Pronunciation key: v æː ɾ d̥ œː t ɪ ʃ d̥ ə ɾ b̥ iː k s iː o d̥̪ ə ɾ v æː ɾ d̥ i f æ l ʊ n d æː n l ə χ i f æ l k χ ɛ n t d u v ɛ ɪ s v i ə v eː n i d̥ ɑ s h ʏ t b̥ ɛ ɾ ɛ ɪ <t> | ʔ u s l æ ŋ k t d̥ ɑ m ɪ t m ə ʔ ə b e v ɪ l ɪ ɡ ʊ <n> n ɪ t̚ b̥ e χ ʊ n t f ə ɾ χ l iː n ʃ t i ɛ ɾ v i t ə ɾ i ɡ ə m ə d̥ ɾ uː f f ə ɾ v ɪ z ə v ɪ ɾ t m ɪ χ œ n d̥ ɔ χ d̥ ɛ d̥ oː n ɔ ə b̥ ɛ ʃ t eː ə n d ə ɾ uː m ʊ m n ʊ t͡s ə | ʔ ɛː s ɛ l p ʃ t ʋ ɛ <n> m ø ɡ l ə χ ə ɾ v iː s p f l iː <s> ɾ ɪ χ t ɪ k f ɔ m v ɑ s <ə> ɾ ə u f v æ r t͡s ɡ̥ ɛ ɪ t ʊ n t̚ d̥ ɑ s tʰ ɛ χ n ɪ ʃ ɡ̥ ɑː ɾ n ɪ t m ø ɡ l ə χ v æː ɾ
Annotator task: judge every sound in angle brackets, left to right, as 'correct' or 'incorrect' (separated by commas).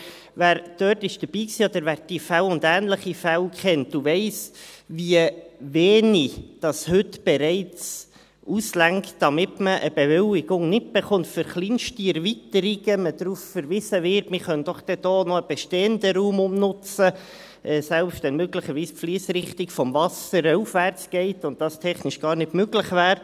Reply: incorrect, incorrect, correct, correct, correct